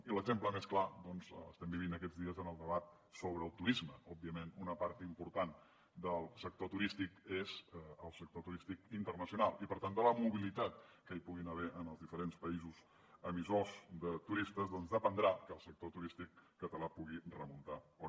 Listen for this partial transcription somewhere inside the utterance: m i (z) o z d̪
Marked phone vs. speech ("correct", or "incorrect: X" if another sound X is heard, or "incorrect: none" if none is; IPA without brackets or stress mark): correct